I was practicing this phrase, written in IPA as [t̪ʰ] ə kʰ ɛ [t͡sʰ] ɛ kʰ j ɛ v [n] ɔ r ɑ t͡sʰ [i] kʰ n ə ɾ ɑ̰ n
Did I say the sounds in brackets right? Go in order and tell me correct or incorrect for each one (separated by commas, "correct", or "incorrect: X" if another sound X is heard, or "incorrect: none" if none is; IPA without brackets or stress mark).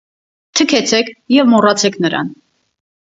correct, correct, incorrect: m, incorrect: ɛ